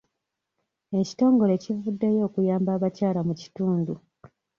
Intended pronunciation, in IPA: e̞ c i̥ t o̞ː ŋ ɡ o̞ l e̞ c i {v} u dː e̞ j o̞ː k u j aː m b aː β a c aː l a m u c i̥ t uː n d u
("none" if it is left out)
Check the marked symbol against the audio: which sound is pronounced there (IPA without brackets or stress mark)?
v